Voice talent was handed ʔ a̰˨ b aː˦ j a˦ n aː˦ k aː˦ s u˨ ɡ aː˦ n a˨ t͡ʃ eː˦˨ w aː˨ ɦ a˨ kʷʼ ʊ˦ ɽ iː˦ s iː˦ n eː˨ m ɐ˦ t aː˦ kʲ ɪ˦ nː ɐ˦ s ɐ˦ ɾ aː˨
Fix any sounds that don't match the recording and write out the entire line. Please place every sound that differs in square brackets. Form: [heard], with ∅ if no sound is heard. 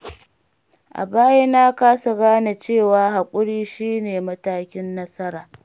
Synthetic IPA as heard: ʔ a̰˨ b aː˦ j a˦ n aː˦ k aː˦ s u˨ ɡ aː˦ n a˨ t͡ʃ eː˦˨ w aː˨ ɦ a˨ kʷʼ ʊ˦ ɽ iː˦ [ʃ] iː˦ n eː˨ m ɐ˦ t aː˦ kʲ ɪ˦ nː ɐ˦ s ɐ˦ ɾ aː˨